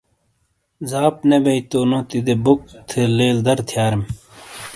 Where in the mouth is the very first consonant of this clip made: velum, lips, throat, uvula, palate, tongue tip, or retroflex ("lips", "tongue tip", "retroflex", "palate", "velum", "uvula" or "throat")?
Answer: tongue tip